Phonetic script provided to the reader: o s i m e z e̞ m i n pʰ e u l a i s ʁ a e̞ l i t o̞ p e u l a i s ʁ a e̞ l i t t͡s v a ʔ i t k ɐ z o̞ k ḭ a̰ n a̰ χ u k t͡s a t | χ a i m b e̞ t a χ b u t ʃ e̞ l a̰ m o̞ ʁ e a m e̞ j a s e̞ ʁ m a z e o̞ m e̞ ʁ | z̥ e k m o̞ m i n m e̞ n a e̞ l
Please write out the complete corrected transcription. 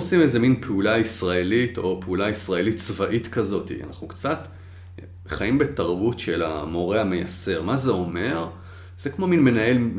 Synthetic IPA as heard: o s i m e z e̞ m i n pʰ e u l a i s ʁ a e̞ l i t o̞ p e u l a i s ʁ a e̞ l i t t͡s v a ʔ i t k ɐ z o̞ t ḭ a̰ n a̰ χ u k t͡s a t | χ a i m b e̞ t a ʁ b u t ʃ e̞ l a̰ m o̞ ʁ e a m e̞ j a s e̞ ʁ m a z e o̞ m e̞ ʁ | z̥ e k m o̞ m i n m e̞ n a e̞ l